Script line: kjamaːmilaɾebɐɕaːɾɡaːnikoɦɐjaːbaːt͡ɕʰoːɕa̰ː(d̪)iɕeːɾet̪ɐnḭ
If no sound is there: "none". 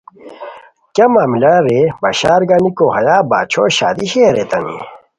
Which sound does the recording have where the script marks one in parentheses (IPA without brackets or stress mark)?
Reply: d̪